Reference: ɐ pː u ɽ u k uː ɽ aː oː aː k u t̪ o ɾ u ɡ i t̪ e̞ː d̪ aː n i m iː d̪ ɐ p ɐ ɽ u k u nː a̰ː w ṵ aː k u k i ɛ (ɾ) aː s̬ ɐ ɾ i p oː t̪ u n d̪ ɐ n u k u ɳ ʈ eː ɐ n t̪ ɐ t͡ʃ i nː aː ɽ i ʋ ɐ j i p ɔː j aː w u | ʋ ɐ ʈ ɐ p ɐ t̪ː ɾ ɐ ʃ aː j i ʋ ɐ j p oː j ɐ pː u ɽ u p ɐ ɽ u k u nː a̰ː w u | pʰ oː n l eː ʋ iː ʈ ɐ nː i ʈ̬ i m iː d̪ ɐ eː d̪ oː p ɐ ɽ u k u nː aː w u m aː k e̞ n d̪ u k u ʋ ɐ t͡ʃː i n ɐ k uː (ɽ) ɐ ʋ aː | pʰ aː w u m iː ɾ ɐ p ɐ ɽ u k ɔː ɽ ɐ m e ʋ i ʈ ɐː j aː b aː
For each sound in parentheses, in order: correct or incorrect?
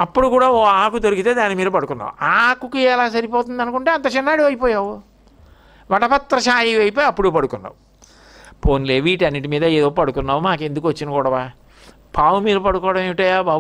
incorrect, correct

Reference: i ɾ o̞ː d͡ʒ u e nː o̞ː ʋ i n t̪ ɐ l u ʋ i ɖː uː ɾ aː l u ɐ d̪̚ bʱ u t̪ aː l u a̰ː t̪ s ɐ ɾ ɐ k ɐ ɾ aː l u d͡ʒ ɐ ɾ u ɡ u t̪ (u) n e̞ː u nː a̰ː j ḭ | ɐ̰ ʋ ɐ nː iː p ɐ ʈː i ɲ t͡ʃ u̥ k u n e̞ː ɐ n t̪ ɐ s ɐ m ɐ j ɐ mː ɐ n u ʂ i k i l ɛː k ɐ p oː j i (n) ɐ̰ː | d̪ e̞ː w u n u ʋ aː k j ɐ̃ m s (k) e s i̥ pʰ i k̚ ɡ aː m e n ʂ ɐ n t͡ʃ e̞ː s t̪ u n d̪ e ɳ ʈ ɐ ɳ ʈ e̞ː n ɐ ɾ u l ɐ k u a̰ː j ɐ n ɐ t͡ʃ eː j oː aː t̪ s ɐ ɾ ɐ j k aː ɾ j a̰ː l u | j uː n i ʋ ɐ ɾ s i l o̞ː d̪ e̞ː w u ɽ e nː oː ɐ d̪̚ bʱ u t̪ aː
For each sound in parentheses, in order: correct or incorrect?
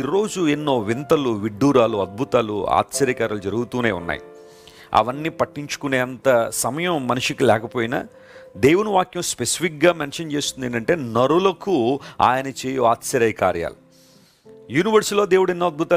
incorrect, correct, incorrect

